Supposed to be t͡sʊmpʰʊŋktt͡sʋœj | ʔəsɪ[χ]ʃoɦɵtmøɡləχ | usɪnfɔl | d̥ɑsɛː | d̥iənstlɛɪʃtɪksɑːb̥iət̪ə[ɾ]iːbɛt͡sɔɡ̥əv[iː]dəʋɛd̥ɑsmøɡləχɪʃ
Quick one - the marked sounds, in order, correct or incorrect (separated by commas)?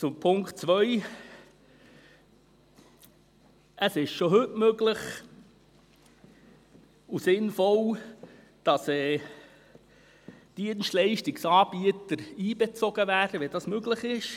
incorrect, correct, incorrect